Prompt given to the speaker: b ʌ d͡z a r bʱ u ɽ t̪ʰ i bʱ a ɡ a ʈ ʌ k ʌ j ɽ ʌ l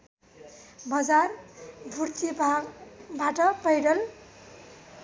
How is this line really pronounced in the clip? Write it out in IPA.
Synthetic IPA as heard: b ʌ d͡z a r bʱ u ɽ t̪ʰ i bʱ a b a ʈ ʌ p ʌ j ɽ ʌ l